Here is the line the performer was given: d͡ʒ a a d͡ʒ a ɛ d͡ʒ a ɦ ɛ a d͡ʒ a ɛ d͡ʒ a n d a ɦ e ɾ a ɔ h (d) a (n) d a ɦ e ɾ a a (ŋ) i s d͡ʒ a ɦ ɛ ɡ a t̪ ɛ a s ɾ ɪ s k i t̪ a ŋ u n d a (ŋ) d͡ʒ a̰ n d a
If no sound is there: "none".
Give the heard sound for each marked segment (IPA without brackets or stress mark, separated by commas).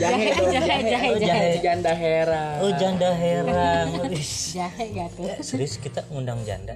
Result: d͡ʒ, n, ŋ, ŋ